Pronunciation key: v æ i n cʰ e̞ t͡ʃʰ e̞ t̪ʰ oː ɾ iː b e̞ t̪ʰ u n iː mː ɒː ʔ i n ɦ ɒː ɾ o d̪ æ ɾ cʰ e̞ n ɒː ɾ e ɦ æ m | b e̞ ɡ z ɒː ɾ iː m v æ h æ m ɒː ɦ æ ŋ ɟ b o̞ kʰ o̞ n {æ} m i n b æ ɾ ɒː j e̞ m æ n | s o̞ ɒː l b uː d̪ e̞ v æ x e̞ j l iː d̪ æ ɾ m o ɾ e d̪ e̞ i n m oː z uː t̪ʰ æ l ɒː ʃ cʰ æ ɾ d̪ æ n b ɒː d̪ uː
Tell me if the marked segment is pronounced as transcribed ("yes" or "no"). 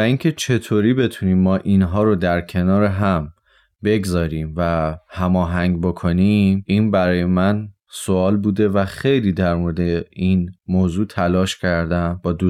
no